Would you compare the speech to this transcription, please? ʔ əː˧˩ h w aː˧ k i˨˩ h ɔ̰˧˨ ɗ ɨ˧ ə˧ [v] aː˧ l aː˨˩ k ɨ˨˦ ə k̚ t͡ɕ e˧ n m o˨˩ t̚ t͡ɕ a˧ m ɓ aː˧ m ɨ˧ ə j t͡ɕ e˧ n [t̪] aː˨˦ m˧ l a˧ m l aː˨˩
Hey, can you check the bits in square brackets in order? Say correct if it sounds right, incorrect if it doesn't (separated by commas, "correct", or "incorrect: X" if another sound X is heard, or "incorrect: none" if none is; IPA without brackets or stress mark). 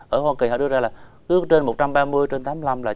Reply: incorrect: z, correct